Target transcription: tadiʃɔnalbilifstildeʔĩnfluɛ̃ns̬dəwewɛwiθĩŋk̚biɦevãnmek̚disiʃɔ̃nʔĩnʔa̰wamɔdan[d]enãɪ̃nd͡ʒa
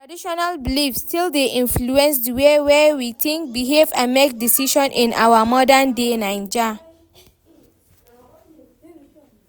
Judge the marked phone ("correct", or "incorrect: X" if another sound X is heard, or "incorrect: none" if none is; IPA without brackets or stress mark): correct